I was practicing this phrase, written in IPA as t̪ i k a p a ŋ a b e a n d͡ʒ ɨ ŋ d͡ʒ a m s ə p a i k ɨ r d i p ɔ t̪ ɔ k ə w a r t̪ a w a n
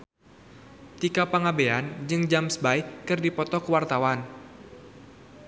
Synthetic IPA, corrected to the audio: t̪ i k a p a ŋ a b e a n d͡ʒ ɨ ŋ d͡ʒ a m s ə b a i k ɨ r d i p ɔ t̪ ɔ k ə w a r t̪ a w a n